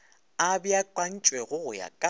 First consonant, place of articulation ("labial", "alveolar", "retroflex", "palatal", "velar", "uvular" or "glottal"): labial